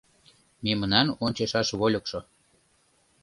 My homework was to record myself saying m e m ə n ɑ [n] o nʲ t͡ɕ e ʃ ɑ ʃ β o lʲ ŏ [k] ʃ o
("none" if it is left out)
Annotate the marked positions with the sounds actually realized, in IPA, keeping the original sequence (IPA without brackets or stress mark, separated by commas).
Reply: n, k